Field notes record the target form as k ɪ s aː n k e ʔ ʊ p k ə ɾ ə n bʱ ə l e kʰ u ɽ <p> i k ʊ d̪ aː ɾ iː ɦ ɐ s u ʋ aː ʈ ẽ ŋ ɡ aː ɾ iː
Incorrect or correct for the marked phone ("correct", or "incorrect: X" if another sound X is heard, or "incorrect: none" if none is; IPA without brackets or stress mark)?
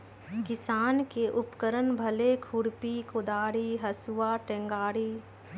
correct